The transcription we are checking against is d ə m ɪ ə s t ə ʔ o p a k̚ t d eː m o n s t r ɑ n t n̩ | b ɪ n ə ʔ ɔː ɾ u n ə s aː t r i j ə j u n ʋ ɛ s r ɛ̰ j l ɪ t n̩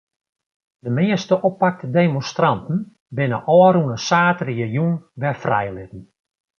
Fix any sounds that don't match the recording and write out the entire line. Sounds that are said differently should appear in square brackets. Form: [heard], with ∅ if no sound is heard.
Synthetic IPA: d ə m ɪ ə s t ə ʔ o p a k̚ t d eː m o n s t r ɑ n t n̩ | b ɪ n ə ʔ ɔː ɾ u n ə s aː t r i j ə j u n ʋ ɛ [f] r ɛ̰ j l ɪ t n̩